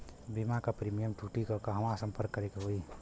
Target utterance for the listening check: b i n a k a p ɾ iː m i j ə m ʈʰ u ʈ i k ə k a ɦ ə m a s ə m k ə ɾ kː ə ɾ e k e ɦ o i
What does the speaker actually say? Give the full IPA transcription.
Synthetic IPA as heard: b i m a k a p ɾ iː m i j ə m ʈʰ u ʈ i k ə k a ɦ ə m a s ə m p ə ɾ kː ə ɾ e k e ɦ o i